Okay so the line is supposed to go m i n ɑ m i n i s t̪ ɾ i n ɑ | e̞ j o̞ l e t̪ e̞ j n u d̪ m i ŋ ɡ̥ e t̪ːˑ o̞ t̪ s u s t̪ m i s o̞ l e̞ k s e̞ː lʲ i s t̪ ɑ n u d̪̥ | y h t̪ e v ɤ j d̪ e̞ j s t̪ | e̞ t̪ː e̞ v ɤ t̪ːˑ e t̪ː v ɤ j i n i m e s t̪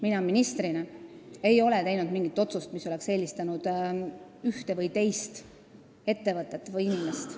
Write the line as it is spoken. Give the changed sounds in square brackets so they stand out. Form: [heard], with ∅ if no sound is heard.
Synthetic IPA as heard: m i n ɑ m i n i s t̪ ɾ i n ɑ | e̞ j o̞ l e t̪ e̞ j n u d̪ m i ŋ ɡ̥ [i] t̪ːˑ o̞ t̪ s u s t̪ m i s o̞ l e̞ k s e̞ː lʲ i s t̪ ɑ n u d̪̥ | y h t̪ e v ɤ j [t̪] e̞ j s t̪ | e̞ t̪ː e̞ v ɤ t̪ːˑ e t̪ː v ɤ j i n i m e s t̪